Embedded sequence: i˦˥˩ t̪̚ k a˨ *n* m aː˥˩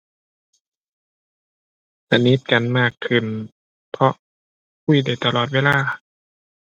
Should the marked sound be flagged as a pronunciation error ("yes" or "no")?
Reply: no